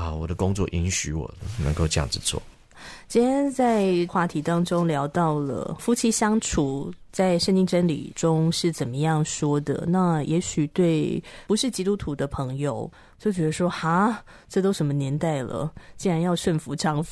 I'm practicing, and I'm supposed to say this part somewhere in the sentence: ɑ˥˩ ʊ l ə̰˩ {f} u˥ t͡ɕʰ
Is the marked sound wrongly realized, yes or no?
no